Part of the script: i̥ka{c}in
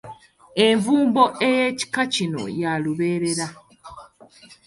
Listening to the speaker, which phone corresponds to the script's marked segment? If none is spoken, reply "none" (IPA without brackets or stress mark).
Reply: c